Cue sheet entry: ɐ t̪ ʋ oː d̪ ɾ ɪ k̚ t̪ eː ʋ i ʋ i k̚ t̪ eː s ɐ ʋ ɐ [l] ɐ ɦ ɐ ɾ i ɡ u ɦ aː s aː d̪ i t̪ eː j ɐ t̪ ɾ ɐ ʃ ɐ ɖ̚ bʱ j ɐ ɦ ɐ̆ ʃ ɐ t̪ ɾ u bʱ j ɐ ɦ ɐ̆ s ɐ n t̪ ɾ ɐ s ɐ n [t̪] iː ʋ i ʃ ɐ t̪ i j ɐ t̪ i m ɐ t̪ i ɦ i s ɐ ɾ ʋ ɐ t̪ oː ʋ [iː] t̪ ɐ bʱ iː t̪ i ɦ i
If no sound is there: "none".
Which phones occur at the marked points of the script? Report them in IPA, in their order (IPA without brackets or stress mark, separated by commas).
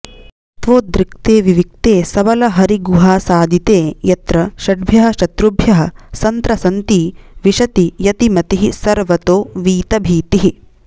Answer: l, t̪, iː